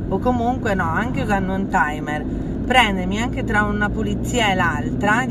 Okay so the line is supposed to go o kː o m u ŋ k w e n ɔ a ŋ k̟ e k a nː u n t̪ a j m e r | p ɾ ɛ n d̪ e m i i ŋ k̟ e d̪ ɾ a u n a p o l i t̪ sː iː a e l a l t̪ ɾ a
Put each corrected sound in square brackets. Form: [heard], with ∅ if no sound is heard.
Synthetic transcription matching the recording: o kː o m u ŋ k w e n ɔ a ŋ k̟ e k a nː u n t̪ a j m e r | p ɾ ɛ n d̪ e m i [a] ŋ k̟ e [t̪] ɾ a u n a p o l i t̪ sː iː a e l a l t̪ ɾ a